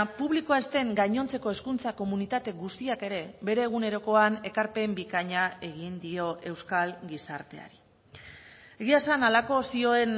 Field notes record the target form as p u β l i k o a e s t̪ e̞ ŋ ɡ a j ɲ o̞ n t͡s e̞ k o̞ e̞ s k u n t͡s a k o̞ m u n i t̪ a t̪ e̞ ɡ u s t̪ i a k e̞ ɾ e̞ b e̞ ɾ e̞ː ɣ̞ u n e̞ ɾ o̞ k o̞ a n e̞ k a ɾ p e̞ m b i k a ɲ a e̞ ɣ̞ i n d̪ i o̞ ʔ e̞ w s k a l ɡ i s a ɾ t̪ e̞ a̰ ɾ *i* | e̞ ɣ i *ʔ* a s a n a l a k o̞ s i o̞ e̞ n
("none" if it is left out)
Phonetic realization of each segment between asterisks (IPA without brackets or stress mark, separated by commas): i, none